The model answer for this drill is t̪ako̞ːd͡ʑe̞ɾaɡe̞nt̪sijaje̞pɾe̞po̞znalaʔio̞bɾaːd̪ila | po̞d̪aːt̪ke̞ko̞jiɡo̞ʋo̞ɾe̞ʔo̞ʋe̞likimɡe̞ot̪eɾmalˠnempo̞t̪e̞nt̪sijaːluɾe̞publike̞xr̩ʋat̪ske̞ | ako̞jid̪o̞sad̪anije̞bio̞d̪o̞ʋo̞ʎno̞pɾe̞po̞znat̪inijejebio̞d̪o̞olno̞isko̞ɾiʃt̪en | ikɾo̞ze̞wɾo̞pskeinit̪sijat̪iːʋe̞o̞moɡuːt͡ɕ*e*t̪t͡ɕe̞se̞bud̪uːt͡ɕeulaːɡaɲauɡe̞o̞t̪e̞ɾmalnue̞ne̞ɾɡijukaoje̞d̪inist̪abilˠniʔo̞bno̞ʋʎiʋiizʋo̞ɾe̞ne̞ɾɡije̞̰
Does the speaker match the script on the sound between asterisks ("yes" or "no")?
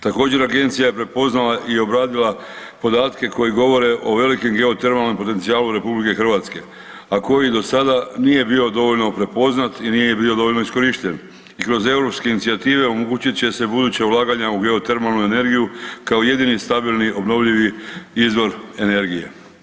no